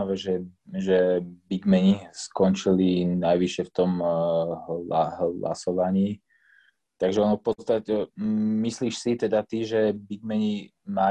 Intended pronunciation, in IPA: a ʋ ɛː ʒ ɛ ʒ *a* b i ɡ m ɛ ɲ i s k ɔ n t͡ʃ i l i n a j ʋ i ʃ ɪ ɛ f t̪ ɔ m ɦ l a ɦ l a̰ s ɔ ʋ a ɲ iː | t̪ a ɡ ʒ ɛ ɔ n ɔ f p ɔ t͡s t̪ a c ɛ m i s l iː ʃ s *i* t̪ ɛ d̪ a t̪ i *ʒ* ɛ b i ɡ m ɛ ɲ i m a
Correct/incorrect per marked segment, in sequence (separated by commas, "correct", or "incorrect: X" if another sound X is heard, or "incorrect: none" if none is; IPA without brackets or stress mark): incorrect: ɛ, correct, correct